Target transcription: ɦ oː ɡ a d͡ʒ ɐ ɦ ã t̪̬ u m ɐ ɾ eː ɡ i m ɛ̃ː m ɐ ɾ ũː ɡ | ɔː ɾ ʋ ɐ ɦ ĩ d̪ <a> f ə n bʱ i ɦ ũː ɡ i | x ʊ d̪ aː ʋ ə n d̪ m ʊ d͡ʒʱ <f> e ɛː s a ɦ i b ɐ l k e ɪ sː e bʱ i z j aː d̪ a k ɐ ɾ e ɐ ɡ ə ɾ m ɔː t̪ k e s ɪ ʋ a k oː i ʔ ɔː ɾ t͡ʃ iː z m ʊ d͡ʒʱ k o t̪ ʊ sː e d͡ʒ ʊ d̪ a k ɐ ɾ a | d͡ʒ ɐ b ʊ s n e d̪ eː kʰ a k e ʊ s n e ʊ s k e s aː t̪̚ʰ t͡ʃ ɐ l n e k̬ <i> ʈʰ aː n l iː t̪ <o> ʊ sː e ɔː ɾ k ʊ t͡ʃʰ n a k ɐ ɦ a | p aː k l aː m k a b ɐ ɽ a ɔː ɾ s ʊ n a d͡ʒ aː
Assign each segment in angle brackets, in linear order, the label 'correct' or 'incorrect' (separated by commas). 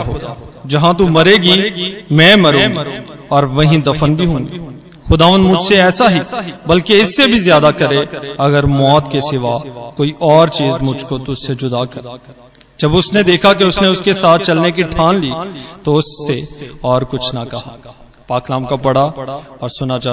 incorrect, incorrect, correct, correct